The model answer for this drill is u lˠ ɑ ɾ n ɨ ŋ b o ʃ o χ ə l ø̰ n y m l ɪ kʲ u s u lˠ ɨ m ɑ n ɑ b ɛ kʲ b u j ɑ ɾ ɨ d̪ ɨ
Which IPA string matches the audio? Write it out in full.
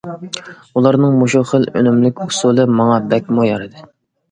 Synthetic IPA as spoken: u lˠ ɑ ɾ n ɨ ŋ m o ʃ u χ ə l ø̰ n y m l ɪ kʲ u s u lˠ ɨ m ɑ ŋ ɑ b ɛ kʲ m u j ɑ ɾ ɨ d̪ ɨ